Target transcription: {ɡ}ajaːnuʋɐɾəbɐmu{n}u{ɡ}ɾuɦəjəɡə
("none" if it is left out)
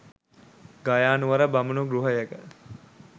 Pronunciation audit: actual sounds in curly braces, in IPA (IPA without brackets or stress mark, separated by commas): ɡ, n, ɡ